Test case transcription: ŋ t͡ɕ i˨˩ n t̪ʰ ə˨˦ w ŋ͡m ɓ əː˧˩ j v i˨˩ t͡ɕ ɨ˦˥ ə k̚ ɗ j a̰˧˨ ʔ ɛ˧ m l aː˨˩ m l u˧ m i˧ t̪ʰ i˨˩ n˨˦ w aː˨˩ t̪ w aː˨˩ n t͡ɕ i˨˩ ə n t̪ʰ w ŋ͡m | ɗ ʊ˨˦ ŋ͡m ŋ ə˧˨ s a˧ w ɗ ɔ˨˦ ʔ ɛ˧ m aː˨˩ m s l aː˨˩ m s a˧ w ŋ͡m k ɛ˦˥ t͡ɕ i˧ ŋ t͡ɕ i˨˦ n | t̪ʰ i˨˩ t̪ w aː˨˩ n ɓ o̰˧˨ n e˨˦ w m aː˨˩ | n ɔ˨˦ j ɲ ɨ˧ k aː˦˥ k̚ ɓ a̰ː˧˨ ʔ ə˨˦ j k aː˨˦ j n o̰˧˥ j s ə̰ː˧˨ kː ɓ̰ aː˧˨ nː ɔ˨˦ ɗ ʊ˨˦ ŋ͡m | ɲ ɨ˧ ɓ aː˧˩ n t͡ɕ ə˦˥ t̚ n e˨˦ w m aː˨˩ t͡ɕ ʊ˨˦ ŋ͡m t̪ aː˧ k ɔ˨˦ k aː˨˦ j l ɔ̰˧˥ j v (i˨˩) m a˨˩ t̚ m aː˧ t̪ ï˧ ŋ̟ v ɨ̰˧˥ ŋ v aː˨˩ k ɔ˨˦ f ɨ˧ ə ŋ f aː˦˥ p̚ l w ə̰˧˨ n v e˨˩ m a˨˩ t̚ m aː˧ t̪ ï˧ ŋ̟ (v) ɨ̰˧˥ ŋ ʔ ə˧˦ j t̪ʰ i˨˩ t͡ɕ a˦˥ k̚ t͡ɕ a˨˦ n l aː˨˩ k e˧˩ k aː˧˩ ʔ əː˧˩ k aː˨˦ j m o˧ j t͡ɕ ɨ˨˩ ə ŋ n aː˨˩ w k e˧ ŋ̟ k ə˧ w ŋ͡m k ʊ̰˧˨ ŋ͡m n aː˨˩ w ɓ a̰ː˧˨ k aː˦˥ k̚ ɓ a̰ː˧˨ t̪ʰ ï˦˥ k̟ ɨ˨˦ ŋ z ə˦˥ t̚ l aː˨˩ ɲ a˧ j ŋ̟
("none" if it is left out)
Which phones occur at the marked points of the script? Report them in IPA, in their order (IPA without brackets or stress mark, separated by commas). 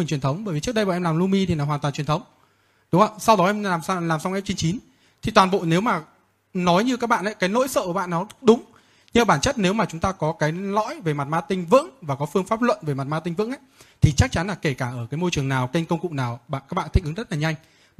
e˨˩, v